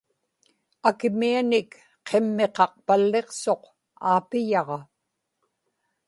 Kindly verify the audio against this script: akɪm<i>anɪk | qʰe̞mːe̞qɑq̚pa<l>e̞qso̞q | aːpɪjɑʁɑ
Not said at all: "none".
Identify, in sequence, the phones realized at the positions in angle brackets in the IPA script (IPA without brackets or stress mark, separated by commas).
i, lː